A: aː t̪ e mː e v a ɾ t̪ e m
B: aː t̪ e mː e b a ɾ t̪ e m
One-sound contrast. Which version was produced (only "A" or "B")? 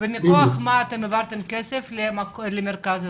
A